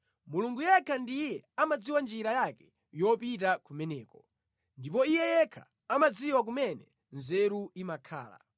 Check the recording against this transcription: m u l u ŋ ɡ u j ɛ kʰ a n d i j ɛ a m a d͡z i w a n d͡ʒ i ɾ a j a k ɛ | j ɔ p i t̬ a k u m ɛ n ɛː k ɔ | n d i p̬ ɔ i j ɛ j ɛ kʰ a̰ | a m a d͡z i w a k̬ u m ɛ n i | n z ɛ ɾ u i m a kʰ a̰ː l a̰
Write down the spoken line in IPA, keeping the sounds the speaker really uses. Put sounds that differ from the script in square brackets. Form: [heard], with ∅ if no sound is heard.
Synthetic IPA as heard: m u l u ŋ ɡ u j ɛ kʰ a n d i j ɛ a m a d͡z i w a n d͡ʒ i ɾ a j a k ɛ | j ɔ p i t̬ a k u m ɛ n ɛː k ɔ | n d i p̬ ɔ i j ɛ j ɛ kʰ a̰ | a m a d͡z i w a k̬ u m ɛ n [ɛ] | n z ɛ ɾ u i m a kʰ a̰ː l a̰